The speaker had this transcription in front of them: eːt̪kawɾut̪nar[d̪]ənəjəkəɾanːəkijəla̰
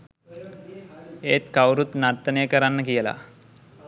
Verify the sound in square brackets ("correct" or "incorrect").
incorrect